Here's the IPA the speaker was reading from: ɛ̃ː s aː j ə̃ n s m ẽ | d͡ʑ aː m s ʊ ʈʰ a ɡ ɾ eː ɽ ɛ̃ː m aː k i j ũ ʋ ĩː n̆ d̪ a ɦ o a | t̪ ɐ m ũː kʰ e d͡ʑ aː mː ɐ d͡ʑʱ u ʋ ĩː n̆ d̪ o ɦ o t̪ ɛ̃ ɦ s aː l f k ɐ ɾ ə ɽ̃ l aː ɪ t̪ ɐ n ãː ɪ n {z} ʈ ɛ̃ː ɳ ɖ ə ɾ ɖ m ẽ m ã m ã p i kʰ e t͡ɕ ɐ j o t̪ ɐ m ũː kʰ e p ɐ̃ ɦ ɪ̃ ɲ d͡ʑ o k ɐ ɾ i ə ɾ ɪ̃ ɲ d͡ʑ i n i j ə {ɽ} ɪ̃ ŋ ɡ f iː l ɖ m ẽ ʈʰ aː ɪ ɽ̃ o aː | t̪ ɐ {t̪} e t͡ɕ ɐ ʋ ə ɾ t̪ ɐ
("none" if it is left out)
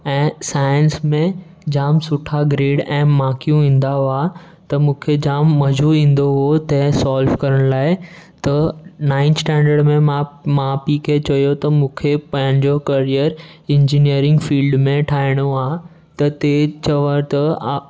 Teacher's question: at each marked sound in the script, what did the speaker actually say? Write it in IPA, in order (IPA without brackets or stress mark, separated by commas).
s, ɾ, t̪